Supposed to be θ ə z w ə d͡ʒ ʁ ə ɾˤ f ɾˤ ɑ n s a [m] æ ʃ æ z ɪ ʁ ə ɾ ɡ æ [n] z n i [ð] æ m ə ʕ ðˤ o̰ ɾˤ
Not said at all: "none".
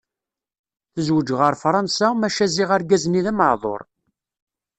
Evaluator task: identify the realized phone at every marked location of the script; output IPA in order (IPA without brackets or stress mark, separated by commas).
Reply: m, none, ð